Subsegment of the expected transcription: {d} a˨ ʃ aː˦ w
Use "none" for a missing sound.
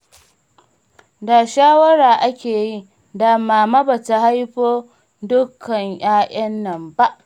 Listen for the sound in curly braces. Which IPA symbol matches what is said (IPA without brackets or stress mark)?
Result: d